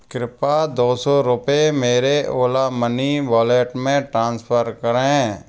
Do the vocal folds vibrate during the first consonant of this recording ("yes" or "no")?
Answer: no